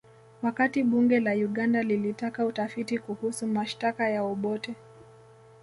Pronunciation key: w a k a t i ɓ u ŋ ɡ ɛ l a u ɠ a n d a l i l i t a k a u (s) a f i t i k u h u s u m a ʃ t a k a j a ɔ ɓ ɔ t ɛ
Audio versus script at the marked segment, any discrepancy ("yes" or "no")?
yes